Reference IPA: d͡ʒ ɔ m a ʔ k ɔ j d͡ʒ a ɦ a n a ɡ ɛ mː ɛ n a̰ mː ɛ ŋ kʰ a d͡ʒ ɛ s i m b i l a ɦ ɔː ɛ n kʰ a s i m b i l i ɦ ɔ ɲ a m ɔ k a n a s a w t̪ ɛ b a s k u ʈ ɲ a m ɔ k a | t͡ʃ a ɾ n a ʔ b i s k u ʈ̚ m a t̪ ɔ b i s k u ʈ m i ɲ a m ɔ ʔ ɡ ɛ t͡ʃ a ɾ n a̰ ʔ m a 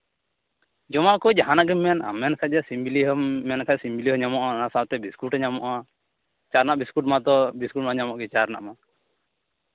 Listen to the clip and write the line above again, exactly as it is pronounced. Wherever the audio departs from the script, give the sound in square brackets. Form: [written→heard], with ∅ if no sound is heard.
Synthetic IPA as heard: d͡ʒ ɔ m a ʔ k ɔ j d͡ʒ a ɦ a n a ɡ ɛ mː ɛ n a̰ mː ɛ [ŋ→n] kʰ a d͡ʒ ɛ s i m b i l [a→i] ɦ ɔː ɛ n kʰ a s i m b i l i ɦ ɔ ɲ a m ɔ [k→ʔ] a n a s a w t̪ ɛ b [a→i] s k u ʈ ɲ a m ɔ [k→ʔ] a | t͡ʃ a ɾ n a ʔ b i s k u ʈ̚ m a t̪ ɔ b i s k u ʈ m [i→a] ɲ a m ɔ ʔ ɡ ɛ t͡ʃ a ɾ n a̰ ʔ m a